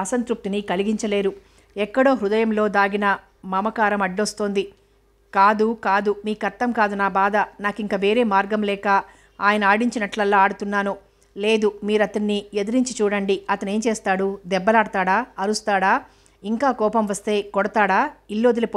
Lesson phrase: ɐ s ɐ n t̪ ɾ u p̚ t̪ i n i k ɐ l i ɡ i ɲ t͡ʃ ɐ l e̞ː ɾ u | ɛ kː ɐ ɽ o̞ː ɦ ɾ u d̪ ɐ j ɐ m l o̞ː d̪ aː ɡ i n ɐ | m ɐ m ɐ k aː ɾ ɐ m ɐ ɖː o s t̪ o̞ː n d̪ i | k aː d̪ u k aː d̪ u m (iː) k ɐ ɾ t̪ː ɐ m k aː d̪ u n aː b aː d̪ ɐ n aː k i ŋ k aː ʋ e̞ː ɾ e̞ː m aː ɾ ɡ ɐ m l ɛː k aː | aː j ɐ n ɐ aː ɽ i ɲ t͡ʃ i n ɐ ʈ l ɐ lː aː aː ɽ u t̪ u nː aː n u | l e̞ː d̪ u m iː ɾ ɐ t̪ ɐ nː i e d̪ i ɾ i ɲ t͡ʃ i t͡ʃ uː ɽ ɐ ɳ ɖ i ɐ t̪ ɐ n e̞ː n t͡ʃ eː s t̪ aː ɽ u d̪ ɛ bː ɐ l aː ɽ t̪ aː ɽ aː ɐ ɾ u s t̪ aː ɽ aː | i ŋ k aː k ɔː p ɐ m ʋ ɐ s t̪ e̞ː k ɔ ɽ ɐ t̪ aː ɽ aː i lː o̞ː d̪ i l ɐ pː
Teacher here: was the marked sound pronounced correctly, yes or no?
yes